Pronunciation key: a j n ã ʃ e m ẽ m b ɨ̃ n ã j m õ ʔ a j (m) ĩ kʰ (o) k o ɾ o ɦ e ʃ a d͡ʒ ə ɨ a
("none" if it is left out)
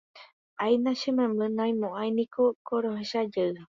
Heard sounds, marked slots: n, o

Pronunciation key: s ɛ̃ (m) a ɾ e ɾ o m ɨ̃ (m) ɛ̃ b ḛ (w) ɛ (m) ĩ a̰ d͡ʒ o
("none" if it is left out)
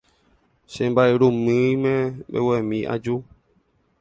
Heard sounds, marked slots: b, m, w, m

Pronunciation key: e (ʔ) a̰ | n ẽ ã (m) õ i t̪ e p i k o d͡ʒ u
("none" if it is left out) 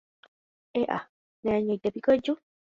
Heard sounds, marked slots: ʔ, ɲ

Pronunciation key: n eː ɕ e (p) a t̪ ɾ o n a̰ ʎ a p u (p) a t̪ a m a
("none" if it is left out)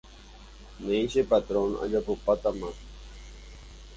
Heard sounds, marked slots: p, p

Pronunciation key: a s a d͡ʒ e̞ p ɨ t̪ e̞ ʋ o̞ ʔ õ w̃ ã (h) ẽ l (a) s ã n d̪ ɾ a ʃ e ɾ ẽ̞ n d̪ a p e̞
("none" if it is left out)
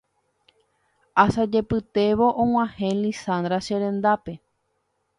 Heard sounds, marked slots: h, i

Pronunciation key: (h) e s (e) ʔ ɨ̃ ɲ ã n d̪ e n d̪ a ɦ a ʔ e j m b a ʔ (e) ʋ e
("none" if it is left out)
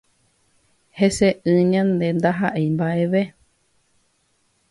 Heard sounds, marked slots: h, e, e

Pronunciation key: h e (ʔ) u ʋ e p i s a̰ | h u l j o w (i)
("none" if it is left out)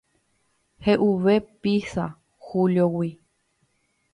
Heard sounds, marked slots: ʔ, i

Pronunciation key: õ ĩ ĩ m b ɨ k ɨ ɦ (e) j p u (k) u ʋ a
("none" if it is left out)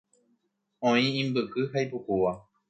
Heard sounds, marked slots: a, k

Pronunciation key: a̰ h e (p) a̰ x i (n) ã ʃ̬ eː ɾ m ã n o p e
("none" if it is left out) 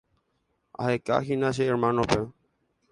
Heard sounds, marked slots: k, n

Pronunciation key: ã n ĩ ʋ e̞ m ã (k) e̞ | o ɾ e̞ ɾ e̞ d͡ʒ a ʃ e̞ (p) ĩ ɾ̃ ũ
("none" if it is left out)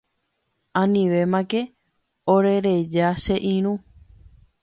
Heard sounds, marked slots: k, ʔ

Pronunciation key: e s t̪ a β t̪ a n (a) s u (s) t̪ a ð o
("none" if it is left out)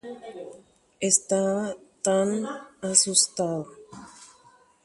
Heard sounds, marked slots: a, s

